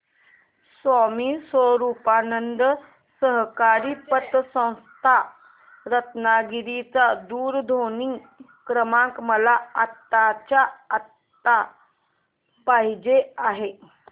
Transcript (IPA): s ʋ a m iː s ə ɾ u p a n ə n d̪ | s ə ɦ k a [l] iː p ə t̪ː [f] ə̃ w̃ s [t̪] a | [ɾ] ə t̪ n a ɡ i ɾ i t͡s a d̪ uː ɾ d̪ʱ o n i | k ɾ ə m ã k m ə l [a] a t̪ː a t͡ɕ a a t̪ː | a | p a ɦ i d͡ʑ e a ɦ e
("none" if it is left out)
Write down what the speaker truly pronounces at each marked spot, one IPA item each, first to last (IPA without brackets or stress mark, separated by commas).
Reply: ɾ, s, t̪ʰ, ɾ, a